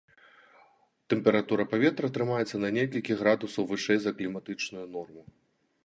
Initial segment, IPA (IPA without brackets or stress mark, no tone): t̪